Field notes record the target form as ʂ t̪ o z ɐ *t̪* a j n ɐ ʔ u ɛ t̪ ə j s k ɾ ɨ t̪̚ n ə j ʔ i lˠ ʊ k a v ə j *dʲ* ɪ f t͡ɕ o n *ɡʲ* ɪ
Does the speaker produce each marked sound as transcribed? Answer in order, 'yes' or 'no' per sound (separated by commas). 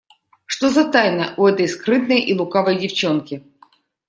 yes, yes, no